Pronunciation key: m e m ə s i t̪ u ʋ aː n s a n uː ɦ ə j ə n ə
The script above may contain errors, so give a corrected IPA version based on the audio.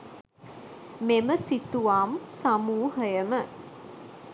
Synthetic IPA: m e m ə s i t̪ u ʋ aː m s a m uː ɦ ə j ə m ə